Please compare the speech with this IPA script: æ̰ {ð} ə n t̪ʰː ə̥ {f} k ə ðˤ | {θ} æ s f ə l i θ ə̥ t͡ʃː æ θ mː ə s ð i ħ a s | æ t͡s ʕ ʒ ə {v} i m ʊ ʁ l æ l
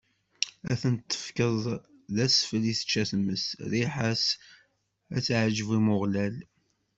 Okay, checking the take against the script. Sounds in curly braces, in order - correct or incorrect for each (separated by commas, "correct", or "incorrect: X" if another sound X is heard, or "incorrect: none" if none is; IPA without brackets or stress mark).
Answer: incorrect: θ, correct, incorrect: ð, correct